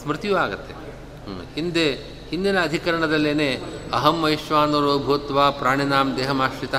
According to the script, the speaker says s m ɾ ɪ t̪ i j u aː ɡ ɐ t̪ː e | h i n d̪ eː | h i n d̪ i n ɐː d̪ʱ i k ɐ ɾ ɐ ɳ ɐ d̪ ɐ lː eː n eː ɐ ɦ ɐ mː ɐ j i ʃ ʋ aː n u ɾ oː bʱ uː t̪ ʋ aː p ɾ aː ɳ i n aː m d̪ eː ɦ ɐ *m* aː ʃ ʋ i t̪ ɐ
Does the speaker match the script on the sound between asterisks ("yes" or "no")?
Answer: yes